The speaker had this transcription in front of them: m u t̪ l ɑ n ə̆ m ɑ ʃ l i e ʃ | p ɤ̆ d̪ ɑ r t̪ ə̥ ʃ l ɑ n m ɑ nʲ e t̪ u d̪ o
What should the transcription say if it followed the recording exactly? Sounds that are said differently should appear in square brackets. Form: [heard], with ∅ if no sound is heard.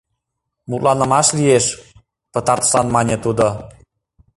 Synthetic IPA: m u t̪ l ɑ n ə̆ m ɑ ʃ l i e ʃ | p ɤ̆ [t̪] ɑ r t̪ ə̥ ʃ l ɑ n m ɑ nʲ e t̪ u d̪ o